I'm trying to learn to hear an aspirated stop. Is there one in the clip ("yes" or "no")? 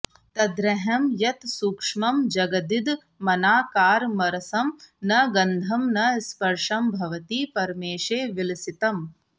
no